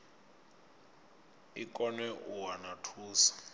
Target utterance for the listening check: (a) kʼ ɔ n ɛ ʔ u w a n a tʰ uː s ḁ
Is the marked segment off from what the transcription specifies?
yes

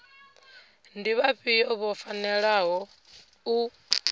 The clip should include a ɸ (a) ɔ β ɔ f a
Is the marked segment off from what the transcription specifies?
yes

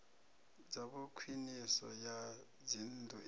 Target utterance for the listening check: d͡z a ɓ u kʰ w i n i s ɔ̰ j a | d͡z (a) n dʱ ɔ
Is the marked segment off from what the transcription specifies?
yes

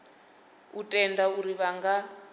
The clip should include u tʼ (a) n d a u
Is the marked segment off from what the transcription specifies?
yes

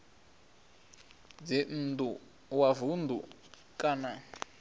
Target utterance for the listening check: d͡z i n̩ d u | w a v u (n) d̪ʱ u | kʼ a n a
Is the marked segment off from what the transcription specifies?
no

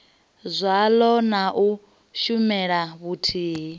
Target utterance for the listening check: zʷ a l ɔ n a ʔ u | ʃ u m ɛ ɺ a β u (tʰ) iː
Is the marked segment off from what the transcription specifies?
no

